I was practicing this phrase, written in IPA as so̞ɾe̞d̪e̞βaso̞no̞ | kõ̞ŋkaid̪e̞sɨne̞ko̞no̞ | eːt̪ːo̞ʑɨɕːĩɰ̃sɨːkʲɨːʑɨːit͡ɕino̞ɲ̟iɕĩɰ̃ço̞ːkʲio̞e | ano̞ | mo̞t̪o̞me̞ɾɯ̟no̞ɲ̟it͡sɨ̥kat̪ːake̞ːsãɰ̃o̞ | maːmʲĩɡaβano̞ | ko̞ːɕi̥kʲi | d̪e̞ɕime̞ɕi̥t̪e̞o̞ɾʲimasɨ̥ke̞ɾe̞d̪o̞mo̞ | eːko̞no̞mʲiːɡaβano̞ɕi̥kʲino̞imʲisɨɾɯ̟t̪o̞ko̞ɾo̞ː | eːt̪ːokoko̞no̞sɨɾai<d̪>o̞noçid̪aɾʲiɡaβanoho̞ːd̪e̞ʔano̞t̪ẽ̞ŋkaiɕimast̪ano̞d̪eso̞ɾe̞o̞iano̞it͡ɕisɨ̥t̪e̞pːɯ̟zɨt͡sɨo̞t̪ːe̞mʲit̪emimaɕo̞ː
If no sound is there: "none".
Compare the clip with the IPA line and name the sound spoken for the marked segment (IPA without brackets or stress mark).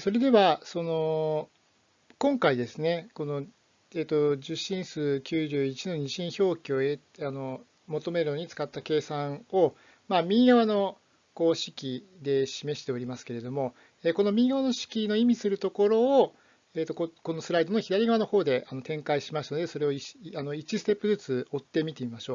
d̪